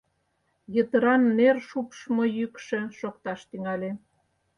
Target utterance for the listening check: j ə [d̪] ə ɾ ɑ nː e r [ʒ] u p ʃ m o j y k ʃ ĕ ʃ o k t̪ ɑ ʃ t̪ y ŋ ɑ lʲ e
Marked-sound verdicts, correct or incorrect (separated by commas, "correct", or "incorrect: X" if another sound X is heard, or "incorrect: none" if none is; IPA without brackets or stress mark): incorrect: t̪, incorrect: ʃ